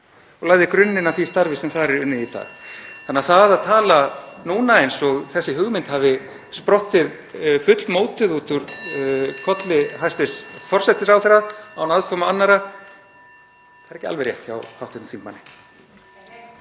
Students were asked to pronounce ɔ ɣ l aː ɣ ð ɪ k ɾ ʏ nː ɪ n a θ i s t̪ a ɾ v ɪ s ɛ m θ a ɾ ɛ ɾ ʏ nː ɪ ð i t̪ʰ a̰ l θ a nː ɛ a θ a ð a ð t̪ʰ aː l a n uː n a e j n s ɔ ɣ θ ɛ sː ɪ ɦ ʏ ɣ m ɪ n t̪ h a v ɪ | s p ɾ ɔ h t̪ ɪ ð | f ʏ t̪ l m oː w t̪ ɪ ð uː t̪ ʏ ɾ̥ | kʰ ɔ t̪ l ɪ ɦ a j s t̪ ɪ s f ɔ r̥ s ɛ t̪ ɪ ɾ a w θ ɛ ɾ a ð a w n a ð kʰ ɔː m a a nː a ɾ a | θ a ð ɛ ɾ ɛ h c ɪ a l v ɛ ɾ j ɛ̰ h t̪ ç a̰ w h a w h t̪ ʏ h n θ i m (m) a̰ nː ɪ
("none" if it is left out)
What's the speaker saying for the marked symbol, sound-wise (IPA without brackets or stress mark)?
m